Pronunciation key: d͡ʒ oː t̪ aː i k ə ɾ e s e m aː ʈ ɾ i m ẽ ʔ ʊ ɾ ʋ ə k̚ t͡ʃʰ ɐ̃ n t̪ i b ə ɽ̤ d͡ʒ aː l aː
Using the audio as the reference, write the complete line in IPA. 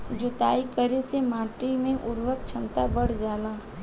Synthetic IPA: d͡ʒ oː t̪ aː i k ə ɾ e s e m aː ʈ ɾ i m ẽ ʔ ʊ ɾ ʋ ə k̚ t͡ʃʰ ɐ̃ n t̪ a b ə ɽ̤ d͡ʒ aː l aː